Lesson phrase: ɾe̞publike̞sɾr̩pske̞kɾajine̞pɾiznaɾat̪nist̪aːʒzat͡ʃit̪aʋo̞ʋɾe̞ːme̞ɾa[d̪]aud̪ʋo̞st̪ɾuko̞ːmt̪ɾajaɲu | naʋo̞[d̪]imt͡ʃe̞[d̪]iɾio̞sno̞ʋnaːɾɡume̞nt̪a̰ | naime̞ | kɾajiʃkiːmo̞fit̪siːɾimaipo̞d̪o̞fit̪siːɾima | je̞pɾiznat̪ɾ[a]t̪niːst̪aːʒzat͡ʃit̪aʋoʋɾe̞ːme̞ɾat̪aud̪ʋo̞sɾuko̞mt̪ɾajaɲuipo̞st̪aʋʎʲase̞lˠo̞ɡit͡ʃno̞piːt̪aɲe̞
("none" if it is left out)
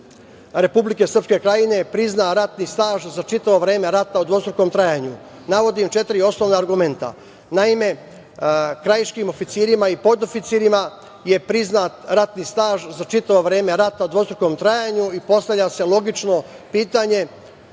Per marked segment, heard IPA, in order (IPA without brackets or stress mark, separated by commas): t̪, d̪, t̪, a